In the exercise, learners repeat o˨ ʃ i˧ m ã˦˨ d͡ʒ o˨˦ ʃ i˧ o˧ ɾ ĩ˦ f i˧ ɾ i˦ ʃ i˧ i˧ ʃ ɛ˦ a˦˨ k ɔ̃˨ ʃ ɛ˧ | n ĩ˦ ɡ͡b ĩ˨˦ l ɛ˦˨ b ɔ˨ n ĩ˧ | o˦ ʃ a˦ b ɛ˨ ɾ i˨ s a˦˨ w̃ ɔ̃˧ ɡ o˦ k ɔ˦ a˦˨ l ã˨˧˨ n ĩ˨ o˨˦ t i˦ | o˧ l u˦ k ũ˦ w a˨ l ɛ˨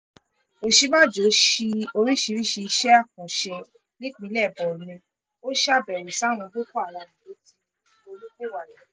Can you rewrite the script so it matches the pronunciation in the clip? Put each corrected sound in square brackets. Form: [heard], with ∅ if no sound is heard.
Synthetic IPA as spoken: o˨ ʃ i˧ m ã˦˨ d͡ʒ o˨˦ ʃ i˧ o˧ ɾ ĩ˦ [ʃ] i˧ ɾ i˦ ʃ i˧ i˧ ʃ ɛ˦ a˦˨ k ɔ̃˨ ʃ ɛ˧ | n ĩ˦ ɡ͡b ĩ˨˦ l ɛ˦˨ b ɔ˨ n ĩ˧ | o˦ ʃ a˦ b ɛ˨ ɾ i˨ s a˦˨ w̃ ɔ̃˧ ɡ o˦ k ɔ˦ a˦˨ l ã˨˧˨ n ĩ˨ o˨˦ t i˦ | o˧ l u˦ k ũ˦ w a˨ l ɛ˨